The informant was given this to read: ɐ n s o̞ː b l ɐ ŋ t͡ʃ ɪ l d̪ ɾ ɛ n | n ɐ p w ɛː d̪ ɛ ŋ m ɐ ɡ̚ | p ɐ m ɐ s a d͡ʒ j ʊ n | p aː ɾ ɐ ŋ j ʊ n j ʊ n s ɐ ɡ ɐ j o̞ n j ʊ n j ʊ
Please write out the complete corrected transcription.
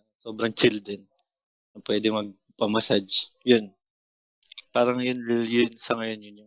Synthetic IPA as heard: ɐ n s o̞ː b ɾ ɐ ŋ t͡ʃ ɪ l d̪ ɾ ɛ n | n ɐ p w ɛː d̪ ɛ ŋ m ɐ ɡ̚ | p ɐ m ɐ s a d͡ʒ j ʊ n | p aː ɾ ɐ ŋ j ʊ n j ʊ n s ɐ ŋ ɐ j o̞ n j ʊ n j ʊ